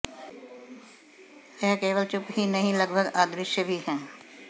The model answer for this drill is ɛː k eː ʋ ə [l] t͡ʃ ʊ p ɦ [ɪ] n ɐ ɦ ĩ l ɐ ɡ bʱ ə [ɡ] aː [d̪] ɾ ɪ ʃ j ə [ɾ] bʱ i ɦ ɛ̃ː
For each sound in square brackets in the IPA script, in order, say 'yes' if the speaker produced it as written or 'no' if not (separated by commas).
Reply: yes, no, yes, yes, no